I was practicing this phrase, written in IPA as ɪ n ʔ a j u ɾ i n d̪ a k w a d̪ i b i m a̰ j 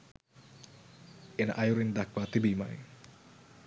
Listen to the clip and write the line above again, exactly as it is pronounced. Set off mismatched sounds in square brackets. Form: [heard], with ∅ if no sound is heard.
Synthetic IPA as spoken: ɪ n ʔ a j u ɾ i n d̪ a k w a [t̪] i b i m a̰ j